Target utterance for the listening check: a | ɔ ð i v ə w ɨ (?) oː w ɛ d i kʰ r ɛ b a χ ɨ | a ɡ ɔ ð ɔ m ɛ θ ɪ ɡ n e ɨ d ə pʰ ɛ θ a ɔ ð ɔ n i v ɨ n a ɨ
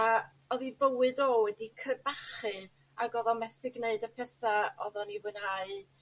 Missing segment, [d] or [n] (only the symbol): d